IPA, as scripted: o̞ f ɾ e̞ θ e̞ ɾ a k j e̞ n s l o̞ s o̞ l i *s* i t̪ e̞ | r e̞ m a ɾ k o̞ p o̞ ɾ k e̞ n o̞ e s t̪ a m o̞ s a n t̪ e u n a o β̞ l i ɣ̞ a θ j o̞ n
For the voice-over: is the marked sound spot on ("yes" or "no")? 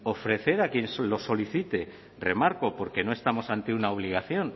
no